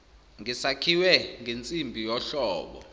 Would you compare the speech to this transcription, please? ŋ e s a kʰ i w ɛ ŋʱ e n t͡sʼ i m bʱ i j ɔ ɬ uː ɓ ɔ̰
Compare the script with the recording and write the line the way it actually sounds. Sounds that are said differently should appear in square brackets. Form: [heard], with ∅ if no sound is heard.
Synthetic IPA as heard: ŋ [i] s a kʰ i w ɛ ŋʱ e n t͡sʼ i m bʱ i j ɔ ɬ [ɔː] ɓ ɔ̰